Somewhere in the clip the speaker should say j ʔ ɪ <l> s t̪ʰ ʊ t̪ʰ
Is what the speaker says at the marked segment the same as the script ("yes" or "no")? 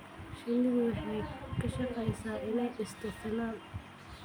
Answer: no